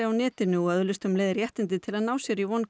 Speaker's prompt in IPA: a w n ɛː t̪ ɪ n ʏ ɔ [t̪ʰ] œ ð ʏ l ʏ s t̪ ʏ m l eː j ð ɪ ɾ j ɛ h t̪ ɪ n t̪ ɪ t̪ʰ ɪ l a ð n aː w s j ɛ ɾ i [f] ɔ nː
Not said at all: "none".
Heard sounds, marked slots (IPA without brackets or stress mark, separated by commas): none, v